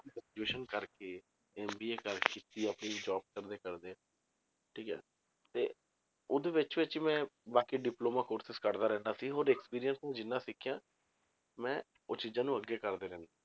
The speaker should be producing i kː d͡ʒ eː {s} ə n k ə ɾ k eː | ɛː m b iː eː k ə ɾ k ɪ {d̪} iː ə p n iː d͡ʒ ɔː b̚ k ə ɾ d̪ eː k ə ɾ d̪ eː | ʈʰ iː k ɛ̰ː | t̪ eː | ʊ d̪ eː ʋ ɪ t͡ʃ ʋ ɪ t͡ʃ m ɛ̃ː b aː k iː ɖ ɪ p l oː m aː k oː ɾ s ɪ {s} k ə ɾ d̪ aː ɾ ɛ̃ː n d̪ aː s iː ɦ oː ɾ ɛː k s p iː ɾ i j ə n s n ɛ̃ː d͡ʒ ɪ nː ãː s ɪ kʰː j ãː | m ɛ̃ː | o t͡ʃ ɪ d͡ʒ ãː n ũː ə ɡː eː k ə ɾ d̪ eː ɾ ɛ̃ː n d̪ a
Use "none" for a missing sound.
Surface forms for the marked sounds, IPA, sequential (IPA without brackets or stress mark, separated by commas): ʃ, t̪, s